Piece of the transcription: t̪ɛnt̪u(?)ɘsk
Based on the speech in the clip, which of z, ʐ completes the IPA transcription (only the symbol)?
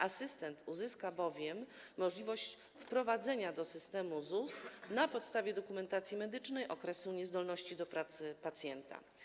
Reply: z